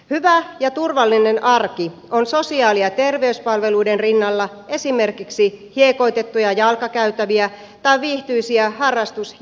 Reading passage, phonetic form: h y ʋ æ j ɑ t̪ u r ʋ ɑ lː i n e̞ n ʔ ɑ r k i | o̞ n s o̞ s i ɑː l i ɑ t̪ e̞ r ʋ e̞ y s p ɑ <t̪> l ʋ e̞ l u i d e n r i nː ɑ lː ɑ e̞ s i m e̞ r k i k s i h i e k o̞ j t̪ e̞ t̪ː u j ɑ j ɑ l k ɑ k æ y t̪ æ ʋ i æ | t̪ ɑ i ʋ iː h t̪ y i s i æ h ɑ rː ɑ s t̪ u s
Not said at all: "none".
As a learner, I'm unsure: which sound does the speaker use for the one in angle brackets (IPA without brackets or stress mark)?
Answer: none